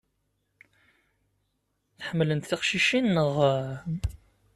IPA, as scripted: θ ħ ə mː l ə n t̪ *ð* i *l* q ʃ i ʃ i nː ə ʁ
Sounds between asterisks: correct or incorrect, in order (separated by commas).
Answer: incorrect, incorrect